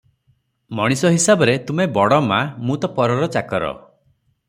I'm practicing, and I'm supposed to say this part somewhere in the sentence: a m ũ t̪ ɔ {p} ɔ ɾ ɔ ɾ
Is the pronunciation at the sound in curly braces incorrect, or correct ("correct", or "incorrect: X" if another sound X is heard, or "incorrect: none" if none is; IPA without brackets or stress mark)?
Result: correct